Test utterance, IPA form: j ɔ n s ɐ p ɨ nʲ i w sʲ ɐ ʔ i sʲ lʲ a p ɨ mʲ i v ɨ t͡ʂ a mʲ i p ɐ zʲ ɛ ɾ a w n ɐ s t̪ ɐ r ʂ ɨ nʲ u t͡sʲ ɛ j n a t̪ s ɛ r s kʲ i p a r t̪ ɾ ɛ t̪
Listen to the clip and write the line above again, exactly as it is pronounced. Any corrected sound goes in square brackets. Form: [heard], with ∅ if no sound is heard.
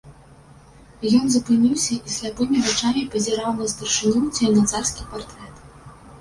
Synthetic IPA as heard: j ɔ n [z] ɐ p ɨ nʲ i w sʲ ɐ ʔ i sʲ lʲ a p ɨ mʲ i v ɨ t͡ʂ a mʲ i p ɐ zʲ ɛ ɾ a w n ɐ s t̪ ɐ r ʂ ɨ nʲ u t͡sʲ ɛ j n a t̪ s [a] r s kʲ i p a r t̪ ɾ ɛ t̪